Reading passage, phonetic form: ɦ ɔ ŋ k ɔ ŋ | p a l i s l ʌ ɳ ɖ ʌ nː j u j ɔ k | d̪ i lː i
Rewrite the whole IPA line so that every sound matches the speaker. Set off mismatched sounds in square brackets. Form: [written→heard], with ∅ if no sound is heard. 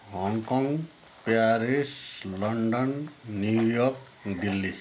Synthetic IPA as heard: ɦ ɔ ŋ k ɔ ŋ | p a [l→ɾ] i s l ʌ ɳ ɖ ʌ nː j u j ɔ k | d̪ i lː i